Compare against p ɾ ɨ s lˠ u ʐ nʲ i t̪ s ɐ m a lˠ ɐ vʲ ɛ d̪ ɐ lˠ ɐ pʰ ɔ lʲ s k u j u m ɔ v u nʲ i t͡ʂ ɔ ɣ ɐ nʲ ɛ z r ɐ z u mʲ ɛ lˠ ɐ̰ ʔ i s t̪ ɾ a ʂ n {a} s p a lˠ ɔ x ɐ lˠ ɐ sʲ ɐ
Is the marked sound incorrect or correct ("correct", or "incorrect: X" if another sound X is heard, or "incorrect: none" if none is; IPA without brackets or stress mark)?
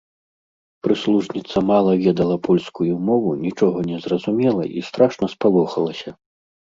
incorrect: ɐ